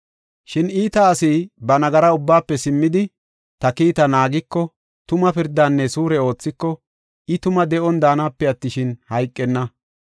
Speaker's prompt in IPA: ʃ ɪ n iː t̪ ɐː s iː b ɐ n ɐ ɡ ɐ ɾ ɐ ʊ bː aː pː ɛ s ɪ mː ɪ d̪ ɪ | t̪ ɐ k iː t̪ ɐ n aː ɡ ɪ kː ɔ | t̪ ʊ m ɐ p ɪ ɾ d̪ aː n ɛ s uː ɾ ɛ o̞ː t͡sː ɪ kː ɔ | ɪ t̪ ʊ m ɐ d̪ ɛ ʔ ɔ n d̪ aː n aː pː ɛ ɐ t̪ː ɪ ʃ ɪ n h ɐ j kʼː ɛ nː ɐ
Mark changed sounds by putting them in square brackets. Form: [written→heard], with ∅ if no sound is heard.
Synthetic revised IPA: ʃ ɪ n iː t̪ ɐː s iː b ɐ n ɐ ɡ ɐ ɾ ɐ ʊ bː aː pː ɛ s ɪ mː ɪ d̪ ɪ | t̪ ɐ k iː t̪ ɐ n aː ɡ ɪ kː ɔ | t̪ ʊ m ɐ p ɪ ɾ d̪ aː [n→nː] ɛ s uː ɾ ɛ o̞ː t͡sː ɪ kː ɔ | ɪ t̪ ʊ m ɐ d̪ ɛ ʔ ɔ n d̪ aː n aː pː ɛ ɐ t̪ː ɪ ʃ ɪ n h ɐ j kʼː ɛ nː ɐ